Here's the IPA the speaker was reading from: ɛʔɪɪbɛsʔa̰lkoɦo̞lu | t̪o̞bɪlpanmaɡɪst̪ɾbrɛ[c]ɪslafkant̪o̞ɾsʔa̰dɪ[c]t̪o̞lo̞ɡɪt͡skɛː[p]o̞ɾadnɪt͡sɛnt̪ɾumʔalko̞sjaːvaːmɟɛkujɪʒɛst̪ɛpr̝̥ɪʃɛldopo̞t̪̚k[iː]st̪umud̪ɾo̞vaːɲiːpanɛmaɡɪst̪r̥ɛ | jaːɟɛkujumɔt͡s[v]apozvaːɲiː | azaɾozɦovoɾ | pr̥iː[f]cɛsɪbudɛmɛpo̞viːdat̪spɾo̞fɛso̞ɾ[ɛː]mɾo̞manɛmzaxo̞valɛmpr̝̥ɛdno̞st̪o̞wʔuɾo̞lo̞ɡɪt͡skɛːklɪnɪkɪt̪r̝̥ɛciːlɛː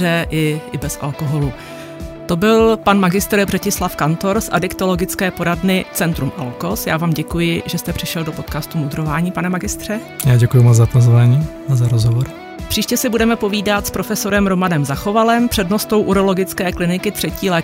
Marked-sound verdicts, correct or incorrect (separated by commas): correct, incorrect, correct, incorrect, incorrect, incorrect, incorrect